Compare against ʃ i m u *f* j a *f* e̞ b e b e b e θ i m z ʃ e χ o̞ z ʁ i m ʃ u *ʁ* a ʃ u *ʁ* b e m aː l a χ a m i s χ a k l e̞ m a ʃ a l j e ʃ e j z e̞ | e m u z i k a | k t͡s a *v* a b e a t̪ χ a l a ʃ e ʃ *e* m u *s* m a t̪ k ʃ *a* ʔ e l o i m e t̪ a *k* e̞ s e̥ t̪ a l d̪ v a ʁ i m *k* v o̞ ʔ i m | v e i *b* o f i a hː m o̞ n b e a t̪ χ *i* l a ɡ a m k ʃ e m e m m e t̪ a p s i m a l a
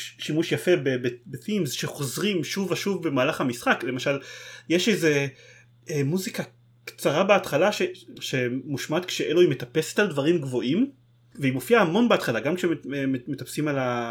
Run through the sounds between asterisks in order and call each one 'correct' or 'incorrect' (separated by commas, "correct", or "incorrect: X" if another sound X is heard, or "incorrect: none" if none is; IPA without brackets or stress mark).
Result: incorrect: ʃ, correct, incorrect: v, incorrect: v, incorrect: ʁ, correct, incorrect: ʃ, incorrect: e, incorrect: p, incorrect: ɡ, incorrect: m, incorrect: a